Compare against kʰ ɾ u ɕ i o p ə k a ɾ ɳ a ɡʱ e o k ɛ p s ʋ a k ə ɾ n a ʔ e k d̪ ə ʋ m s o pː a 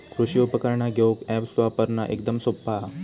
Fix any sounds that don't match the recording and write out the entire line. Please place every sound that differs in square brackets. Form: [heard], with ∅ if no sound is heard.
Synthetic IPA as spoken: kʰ ɾ u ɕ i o p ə k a ɾ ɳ a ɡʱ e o k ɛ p s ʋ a [p] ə ɾ n a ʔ e k d̪ ə [∅] m s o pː a